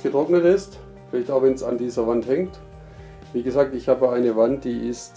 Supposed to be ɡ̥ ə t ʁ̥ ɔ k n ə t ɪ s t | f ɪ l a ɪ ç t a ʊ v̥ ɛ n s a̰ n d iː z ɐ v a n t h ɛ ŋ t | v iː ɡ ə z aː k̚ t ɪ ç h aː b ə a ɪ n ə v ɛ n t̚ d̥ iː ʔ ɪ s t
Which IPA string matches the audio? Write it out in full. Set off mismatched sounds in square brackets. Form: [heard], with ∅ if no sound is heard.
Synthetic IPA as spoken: ɡ̥ ə t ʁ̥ ɔ k n ə t ɪ s t | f ɪ l a ɪ ç t a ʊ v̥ ɛ n s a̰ n d iː z ɐ v a n t h ɛ ŋ t | v iː ɡ ə z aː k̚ t ɪ ç h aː b ə a ɪ n ə v [a] n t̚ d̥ iː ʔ ɪ s t